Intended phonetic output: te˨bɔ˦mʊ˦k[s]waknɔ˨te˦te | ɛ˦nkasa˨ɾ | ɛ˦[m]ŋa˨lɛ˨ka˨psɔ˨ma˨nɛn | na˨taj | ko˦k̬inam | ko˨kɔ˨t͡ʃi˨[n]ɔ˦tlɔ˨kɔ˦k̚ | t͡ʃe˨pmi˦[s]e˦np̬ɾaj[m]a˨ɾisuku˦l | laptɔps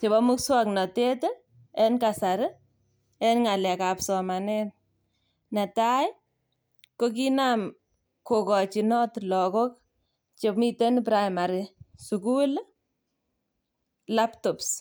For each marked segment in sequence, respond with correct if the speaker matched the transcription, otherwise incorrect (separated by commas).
correct, incorrect, correct, incorrect, correct